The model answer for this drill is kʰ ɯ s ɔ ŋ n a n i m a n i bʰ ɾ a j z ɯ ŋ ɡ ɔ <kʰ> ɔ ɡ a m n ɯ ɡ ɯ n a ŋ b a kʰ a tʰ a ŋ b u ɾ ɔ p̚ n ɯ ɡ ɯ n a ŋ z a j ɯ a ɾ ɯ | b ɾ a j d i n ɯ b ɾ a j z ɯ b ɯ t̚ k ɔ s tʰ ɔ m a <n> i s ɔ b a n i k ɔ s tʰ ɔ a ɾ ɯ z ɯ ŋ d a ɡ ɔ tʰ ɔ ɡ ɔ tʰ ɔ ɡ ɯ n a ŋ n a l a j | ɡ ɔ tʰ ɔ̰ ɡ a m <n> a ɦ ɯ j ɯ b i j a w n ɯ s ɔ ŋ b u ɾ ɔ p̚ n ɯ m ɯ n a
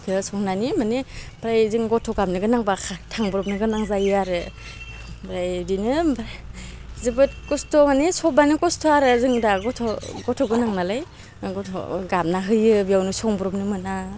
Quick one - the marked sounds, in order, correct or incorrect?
incorrect: tʰ, correct, correct

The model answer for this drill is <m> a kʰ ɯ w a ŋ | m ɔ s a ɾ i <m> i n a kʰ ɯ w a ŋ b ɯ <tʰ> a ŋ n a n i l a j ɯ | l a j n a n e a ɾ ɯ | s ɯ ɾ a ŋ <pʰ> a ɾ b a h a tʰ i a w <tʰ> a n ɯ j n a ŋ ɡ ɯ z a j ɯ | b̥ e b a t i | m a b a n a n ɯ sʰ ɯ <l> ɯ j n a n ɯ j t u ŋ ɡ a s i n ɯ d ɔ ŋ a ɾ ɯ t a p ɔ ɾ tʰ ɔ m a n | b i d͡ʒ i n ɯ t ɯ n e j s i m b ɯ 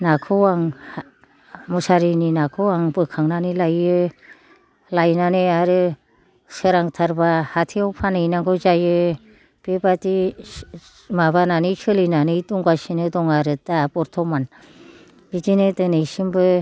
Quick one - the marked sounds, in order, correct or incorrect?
incorrect: n, incorrect: n, incorrect: kʰ, incorrect: tʰ, incorrect: pʰ, correct

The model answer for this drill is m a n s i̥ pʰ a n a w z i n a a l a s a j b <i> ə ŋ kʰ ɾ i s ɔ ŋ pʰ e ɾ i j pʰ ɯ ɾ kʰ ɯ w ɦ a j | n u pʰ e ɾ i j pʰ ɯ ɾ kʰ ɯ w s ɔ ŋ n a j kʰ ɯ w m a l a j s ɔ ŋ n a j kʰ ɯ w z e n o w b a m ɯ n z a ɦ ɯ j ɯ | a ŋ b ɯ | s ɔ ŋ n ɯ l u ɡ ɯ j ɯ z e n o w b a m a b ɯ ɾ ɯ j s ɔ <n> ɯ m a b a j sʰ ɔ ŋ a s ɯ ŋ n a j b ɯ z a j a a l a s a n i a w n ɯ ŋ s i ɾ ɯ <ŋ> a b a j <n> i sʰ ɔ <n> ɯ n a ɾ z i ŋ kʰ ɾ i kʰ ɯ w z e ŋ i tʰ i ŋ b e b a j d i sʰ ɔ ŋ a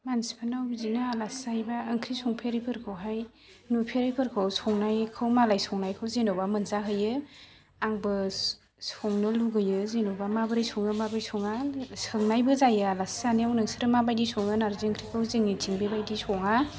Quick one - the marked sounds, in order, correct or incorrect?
incorrect: a, incorrect: ŋ, incorrect: m, incorrect: d, incorrect: ŋ

